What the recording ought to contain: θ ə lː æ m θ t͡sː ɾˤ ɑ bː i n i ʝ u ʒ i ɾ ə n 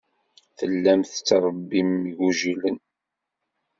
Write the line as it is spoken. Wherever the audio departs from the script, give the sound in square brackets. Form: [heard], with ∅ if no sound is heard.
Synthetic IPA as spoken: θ ə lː æ m θ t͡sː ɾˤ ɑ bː i [m] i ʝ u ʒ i [l] ə n